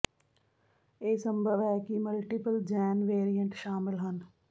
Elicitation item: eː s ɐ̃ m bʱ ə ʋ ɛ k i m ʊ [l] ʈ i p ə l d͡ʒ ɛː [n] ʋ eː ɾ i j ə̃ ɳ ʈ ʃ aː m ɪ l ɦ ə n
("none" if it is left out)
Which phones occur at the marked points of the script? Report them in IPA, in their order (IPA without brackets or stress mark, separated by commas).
l, n